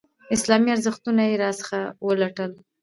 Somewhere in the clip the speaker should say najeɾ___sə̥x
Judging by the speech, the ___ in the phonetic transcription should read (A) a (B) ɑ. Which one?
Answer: B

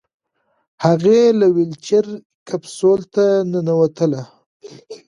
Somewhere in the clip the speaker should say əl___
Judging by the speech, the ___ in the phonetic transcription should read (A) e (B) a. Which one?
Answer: B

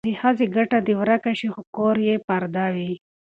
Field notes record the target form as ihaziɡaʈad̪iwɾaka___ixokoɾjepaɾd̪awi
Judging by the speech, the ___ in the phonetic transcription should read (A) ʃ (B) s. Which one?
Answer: A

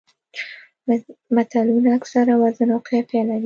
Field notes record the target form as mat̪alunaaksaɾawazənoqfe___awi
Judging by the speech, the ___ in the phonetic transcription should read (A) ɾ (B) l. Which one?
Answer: B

